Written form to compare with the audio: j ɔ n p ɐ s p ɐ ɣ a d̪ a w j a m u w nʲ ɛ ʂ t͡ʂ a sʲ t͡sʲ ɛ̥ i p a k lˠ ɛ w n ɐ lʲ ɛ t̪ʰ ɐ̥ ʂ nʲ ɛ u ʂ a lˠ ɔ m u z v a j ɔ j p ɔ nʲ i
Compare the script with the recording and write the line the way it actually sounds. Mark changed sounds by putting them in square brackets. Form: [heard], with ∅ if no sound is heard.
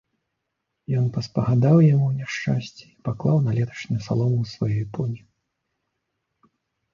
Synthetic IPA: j ɔ n p ɐ s p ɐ ɣ a d̪ a w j a m u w nʲ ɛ ʂ t͡ʂ a sʲ t͡sʲ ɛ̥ i p a k lˠ [a] w n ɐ lʲ ɛ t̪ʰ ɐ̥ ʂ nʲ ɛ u [s] a lˠ ɔ m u [s] v a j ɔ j p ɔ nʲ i